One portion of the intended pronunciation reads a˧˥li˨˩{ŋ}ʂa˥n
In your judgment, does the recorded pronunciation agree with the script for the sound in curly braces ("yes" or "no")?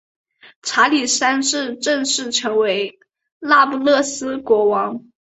no